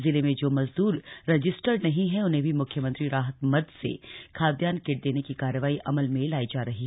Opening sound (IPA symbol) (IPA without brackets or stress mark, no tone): z